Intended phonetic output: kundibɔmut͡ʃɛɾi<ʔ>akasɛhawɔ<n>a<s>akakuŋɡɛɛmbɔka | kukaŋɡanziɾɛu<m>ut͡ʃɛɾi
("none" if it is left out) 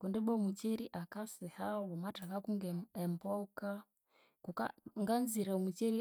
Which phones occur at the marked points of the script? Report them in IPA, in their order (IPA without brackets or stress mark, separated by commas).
ʔ, m, t, m